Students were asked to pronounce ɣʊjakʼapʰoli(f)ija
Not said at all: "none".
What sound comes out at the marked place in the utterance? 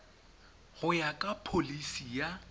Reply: s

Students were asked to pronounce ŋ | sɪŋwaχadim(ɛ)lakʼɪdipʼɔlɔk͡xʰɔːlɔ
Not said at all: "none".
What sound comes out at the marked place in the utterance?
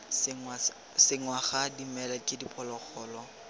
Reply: ɛ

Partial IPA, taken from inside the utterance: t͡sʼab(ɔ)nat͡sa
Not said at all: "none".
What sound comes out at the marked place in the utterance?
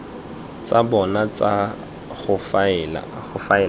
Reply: ɔ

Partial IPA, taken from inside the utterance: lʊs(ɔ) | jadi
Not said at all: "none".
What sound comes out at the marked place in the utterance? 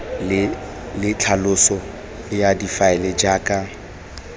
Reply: ɔ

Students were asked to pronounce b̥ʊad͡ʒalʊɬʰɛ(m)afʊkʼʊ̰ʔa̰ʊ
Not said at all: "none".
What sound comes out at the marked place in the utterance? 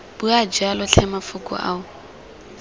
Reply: m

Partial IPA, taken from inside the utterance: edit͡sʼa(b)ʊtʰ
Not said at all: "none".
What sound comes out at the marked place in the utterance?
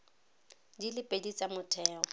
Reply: m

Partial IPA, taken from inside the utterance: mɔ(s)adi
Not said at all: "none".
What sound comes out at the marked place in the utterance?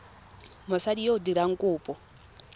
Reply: s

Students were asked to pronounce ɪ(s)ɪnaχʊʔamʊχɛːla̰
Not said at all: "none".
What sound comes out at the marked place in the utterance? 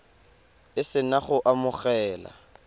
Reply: s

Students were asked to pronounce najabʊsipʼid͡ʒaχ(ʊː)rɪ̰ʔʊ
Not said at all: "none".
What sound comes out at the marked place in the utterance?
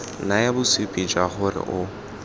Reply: ʊ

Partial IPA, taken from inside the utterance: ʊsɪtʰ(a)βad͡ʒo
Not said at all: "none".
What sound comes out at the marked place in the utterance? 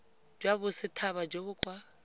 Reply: a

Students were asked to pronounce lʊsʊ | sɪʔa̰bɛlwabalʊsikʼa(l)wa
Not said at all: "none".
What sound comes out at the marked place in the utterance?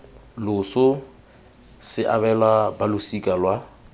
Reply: l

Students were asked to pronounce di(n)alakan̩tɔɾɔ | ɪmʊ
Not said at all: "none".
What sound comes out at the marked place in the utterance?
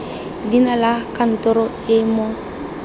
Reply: n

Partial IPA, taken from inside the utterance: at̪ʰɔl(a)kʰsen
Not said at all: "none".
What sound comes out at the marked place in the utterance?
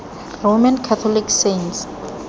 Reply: i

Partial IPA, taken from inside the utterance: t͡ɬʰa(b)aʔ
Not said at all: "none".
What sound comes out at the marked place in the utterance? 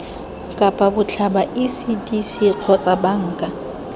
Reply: b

